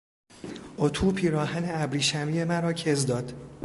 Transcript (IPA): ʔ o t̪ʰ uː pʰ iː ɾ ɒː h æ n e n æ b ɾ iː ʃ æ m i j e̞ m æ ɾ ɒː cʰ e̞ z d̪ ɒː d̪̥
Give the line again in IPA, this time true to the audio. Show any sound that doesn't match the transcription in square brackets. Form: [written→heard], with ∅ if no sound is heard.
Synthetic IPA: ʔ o t̪ʰ uː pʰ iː ɾ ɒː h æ n e [n→∅] æ b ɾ iː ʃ æ m i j e̞ m æ ɾ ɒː cʰ e̞ z d̪ ɒː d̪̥